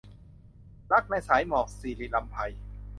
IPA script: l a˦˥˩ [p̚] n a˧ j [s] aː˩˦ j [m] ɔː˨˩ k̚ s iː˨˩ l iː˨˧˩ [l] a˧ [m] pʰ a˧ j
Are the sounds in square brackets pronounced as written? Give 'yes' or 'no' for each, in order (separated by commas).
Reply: no, yes, yes, yes, yes